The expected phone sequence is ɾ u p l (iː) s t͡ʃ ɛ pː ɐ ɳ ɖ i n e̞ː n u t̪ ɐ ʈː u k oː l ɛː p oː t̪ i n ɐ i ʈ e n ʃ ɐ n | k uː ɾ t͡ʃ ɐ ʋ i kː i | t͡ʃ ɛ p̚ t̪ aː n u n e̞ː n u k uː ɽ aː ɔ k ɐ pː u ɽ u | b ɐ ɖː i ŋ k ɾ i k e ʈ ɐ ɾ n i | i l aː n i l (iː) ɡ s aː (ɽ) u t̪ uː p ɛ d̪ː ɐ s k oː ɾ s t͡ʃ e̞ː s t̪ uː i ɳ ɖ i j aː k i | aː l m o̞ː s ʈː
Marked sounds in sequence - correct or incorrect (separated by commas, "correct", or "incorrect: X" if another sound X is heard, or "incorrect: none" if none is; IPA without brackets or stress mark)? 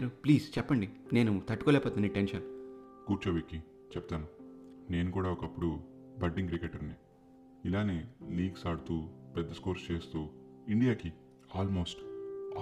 correct, correct, correct